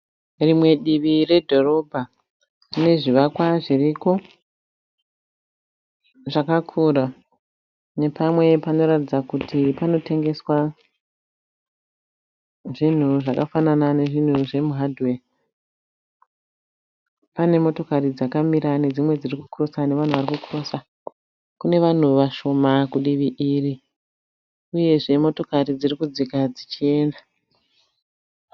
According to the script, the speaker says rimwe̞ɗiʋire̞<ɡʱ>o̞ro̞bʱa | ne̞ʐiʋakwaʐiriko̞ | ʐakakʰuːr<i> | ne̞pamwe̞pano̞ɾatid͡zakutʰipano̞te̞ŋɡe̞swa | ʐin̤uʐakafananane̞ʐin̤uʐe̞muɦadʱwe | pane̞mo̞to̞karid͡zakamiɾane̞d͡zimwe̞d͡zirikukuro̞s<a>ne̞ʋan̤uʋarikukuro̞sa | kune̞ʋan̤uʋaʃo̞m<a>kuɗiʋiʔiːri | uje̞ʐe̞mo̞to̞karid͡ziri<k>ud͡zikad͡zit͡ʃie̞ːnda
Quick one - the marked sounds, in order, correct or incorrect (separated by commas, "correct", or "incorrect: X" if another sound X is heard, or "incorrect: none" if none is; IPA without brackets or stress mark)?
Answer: incorrect: dʱ, incorrect: a, correct, correct, correct